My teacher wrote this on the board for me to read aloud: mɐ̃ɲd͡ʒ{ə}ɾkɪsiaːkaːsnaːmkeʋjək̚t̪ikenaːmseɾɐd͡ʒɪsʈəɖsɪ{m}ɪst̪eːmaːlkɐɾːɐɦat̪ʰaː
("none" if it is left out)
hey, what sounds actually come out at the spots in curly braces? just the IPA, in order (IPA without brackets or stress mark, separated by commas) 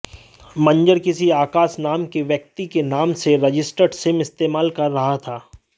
ə, m